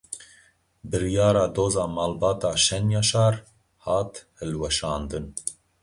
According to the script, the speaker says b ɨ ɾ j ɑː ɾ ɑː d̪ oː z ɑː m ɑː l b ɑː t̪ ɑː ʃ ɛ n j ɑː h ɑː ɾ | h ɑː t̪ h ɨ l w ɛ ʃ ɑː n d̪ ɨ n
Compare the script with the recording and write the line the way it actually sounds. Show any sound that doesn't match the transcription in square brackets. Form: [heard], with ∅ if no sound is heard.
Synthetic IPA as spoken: b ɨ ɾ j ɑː ɾ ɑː d̪ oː z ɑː m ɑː l b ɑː t̪ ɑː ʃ ɛ n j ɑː [ʃ] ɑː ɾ | h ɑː t̪ h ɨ l w ɛ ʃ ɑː n d̪ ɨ n

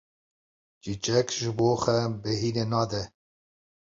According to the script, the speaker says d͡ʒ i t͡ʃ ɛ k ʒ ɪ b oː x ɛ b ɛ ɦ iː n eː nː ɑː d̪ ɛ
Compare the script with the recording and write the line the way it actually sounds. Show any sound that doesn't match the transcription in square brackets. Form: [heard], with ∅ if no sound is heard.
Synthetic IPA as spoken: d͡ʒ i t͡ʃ ɛ k ʒ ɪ b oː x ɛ b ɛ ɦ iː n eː [n] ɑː d̪ ɛ

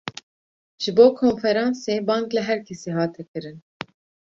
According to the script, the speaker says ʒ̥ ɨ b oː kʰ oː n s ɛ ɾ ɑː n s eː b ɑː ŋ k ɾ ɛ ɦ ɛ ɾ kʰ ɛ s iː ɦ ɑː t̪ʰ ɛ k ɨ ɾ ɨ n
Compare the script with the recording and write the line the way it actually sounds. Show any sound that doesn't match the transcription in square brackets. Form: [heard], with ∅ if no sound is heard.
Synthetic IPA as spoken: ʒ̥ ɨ b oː kʰ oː n [f] ɛ ɾ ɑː n s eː b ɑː ŋ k [l] ɛ ɦ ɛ ɾ kʰ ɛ s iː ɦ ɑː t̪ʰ ɛ k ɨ ɾ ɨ n

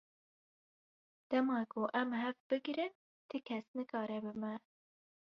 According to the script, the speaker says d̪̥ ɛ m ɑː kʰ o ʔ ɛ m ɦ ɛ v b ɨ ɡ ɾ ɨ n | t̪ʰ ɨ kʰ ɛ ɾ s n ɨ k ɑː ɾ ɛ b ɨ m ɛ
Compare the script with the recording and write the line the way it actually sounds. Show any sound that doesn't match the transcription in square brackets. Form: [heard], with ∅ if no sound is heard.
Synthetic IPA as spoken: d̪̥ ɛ m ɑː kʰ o ʔ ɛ m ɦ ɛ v b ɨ ɡ ɾ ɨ n | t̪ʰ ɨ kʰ ɛ [∅] s n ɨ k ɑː ɾ ɛ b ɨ m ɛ

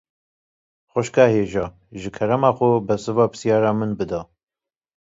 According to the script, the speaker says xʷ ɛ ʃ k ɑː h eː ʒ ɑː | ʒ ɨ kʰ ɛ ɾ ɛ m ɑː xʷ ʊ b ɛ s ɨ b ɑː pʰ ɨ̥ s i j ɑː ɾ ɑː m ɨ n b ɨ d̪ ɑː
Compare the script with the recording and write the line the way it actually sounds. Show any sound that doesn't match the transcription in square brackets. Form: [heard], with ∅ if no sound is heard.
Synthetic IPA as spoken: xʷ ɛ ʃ k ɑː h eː ʒ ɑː | ʒ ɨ kʰ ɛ ɾ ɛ m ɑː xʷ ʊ b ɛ s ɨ [v] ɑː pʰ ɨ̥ s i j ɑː ɾ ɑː m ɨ n b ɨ d̪ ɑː

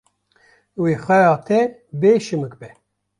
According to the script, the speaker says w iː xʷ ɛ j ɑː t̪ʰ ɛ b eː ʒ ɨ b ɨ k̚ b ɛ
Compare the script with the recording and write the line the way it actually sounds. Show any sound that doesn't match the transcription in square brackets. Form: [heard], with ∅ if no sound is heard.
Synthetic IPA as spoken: w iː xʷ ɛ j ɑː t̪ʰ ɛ b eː [ʃ] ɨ [m] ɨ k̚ b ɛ

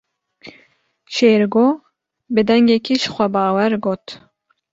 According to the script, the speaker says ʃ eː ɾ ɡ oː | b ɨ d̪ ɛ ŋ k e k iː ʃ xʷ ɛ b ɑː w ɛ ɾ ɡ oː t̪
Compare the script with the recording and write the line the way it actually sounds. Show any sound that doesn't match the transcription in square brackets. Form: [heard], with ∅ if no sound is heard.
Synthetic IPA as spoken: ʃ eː ɾ ɡ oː | b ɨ d̪ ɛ ŋ [ɡ] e k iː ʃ xʷ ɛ b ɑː w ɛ ɾ ɡ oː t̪

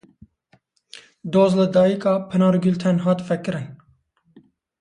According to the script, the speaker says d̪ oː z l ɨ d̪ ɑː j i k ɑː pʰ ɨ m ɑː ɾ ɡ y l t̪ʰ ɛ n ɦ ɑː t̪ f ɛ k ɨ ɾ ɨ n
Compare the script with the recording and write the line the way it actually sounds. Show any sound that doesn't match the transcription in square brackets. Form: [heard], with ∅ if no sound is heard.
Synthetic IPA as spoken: d̪ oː z l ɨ d̪ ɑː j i k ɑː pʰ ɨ [n] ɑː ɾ ɡ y l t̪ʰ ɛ n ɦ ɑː t̪ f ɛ k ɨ ɾ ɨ n

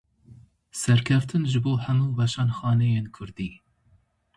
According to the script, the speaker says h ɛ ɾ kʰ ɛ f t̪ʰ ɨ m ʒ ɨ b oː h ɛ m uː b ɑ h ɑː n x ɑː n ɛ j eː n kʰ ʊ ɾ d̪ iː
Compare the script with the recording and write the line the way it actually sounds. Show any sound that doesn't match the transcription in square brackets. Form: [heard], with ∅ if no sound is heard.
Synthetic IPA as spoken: [s] ɛ ɾ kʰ ɛ f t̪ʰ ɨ [n] ʒ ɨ b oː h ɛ m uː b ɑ [ʃ] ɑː n x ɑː n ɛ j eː n kʰ ʊ ɾ d̪ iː

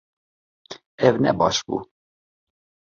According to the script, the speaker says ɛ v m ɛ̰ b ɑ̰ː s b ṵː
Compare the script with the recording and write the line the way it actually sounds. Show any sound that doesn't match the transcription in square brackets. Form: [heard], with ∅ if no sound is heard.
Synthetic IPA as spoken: ɛ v [n] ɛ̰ b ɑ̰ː [ʃ] b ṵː

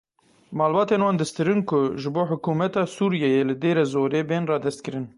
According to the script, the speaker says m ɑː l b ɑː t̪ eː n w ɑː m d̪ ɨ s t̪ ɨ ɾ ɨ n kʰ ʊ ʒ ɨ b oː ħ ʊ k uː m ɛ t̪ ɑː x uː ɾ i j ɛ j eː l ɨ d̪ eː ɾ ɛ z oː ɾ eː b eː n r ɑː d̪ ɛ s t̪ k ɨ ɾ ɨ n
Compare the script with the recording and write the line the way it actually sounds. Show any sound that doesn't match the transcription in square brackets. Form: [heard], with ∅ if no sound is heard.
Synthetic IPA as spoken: m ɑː l b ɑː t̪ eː n w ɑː [n] d̪ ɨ s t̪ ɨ ɾ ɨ n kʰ ʊ ʒ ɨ b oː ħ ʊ k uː m ɛ t̪ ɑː [s] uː ɾ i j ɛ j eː l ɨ d̪ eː ɾ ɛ z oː ɾ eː b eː n r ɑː d̪ ɛ s t̪ k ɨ ɾ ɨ n

